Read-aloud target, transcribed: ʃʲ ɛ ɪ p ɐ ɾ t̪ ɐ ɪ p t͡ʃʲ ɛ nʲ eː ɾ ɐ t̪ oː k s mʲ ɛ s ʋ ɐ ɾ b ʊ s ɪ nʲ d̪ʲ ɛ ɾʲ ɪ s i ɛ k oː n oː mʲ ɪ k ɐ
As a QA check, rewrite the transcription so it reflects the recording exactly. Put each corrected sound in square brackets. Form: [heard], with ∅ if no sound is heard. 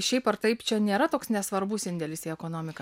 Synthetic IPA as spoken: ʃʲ ɛ ɪ p ɐ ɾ t̪ ɐ ɪ p t͡ʃʲ ɛ nʲ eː ɾ ɐ t̪ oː k s [nʲ] ɛ s ʋ ɐ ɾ b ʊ s ɪ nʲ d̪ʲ ɛ [lʲ] ɪ s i ɛ k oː n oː mʲ ɪ k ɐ